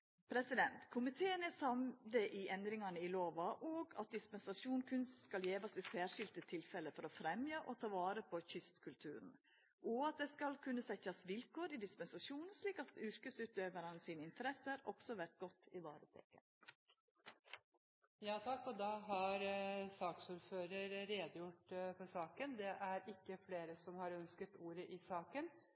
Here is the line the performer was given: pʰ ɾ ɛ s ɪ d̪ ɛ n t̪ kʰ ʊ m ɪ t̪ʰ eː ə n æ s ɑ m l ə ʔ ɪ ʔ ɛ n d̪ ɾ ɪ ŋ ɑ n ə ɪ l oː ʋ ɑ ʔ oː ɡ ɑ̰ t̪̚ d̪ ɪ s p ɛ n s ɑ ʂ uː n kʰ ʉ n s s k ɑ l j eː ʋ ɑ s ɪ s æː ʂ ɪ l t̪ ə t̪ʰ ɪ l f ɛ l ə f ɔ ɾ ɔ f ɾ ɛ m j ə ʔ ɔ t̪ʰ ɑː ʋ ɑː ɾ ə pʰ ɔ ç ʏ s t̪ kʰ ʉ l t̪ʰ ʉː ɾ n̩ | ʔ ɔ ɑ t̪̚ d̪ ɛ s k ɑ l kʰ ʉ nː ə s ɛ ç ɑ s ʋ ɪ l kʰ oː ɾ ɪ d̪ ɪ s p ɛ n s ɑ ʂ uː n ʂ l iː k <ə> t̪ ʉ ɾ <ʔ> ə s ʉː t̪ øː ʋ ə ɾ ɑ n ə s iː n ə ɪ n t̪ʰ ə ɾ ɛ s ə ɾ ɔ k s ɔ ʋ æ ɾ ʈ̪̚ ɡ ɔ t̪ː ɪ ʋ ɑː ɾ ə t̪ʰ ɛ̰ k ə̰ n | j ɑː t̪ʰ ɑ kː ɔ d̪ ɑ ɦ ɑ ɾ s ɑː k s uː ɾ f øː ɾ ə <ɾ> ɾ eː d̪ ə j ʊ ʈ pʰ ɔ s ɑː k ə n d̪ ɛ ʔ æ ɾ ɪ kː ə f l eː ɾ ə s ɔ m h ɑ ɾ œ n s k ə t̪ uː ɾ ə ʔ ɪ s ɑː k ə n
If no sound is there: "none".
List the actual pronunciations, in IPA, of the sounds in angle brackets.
ɑ, k, ɾ

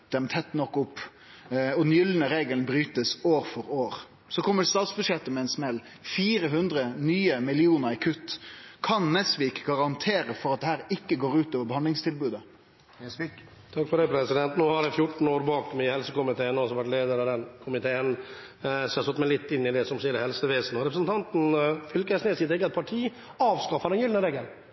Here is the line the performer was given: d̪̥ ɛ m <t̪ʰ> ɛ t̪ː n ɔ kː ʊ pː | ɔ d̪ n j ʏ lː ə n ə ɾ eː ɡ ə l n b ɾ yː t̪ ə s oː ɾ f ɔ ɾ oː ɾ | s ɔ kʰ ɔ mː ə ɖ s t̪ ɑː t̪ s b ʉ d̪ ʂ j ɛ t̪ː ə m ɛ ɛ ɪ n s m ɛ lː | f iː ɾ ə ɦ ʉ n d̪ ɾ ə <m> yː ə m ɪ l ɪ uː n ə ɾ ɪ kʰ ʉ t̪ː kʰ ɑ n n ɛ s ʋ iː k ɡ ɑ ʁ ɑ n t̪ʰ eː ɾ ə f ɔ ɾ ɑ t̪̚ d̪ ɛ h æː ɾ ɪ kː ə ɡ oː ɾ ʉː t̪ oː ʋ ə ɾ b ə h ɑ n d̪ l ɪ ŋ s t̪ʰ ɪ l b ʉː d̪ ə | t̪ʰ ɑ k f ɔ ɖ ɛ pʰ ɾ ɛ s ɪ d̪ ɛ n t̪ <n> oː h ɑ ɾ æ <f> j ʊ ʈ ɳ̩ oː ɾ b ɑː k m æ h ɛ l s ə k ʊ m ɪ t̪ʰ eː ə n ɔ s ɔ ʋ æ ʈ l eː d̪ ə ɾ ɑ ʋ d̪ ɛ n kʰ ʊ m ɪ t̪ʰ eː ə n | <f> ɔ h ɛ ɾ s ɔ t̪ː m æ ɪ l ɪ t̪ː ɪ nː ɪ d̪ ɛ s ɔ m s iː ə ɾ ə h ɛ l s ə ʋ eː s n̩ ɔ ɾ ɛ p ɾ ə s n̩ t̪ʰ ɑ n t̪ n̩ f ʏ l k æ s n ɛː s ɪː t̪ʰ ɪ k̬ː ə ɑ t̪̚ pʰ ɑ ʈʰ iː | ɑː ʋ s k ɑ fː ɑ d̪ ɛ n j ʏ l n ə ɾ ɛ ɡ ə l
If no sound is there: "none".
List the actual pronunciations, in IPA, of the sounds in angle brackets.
t̪ʰ, n, n, f, s

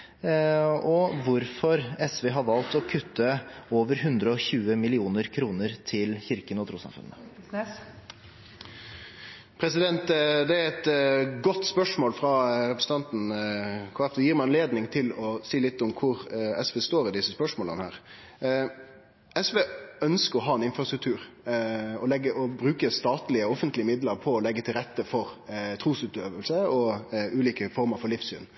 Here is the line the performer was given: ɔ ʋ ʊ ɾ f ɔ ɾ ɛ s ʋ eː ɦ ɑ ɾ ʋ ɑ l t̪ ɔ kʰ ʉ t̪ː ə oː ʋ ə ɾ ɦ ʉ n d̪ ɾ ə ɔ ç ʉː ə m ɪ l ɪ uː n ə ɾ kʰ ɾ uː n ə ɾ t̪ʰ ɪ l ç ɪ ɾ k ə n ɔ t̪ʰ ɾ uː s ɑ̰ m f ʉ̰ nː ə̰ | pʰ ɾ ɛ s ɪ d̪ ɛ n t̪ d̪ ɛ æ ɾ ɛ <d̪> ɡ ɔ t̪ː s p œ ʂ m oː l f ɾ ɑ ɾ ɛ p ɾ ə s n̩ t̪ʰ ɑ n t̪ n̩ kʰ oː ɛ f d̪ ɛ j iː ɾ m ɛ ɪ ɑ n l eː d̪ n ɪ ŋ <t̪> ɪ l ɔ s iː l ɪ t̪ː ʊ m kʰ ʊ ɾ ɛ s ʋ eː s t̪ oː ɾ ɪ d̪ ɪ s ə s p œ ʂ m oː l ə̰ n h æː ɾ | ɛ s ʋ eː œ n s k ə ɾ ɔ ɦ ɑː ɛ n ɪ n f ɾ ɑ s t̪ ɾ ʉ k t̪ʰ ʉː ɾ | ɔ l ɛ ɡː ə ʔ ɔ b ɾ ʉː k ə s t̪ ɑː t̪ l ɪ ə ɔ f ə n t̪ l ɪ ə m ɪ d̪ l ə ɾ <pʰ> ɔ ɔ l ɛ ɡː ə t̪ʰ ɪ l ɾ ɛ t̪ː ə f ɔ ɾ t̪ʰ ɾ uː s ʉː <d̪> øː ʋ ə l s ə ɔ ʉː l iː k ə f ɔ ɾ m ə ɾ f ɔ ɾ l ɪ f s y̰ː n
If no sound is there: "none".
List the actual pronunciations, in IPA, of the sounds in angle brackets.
t̪, t̪ʰ, pʰ, t̪

